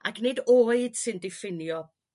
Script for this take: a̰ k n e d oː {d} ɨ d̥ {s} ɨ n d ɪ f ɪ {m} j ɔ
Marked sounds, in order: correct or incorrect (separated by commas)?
incorrect, correct, incorrect